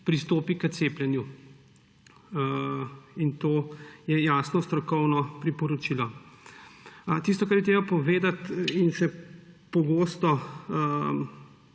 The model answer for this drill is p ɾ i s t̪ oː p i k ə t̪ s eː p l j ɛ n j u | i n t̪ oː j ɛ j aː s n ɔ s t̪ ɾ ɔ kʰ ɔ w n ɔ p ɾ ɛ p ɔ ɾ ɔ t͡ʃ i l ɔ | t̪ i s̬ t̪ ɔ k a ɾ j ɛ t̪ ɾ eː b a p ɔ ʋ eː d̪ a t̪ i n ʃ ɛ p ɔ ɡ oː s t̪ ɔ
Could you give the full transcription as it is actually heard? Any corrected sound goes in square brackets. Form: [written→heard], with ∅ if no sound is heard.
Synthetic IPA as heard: p ɾ i s t̪ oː p i k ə t̪ s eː p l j ɛ n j u | i n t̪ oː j ɛ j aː s n ɔ s t̪ ɾ ɔ [kʰ→k] ɔ w n ɔ p ɾ [ɛ→i] p ɔ ɾ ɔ t͡ʃ i l ɔ | t̪ i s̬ t̪ ɔ k a ɾ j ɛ t̪ ɾ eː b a p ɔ ʋ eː d̪ a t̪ i n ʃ ɛ p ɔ ɡ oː s t̪ ɔ